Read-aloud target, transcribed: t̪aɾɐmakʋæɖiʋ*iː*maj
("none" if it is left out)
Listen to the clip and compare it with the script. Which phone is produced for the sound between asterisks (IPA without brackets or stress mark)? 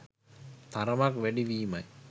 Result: iː